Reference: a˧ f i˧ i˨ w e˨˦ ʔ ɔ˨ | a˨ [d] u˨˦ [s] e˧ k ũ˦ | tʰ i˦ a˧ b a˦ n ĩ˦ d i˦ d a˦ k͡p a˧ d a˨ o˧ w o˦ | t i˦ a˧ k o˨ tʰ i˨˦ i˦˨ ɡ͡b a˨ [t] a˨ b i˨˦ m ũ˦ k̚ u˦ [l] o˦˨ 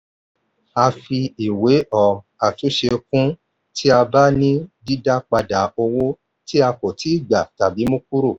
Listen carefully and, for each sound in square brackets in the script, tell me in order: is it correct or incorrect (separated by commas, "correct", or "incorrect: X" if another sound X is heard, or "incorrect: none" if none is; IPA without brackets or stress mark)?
incorrect: t, incorrect: ʃ, correct, incorrect: ɾ